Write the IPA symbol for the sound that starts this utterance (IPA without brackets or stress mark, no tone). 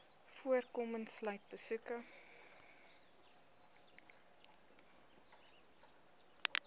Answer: f